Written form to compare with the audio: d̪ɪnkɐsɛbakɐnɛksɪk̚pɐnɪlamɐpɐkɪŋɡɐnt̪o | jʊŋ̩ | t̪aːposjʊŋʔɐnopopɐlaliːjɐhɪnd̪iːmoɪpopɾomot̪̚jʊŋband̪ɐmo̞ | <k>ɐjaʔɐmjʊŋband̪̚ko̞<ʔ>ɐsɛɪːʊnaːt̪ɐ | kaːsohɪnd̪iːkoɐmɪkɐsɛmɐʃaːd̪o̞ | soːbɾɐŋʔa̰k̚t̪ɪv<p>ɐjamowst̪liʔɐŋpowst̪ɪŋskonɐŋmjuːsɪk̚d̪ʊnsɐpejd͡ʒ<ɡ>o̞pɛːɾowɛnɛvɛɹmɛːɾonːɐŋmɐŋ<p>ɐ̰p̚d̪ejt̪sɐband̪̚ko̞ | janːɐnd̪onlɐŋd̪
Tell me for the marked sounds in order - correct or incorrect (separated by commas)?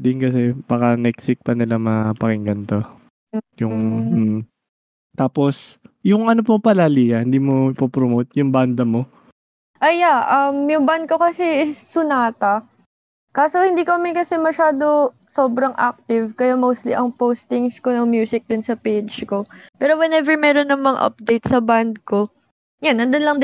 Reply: incorrect, incorrect, incorrect, incorrect, incorrect